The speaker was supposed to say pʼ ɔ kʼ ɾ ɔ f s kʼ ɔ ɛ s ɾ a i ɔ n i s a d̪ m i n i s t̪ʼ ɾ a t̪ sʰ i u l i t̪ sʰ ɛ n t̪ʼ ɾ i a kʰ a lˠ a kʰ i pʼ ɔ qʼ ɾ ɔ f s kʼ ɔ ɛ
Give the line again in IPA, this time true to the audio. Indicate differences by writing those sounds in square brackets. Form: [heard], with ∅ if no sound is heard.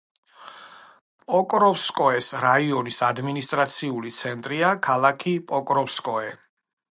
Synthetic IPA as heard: pʼ ɔ kʼ ɾ ɔ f s kʼ ɔ ɛ s ɾ a i ɔ n i s a d̪ m i n i s t̪ʼ ɾ a t̪ sʰ i u l i t̪ sʰ ɛ n t̪ʼ ɾ i a kʰ a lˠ a kʰ i pʼ ɔ [kʼ] ɾ ɔ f s kʼ ɔ ɛ